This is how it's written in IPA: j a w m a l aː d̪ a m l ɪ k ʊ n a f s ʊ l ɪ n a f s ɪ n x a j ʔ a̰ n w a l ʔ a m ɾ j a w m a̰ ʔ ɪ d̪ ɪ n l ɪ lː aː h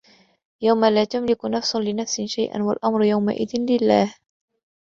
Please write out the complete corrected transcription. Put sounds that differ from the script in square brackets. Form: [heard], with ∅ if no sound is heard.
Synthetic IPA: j a w m a l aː [t̪] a m l ɪ k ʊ n a f s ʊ l ɪ n a f s ɪ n [ʃ] a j ʔ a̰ n w a l ʔ a m ɾ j a w m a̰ ʔ ɪ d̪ ɪ n l ɪ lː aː h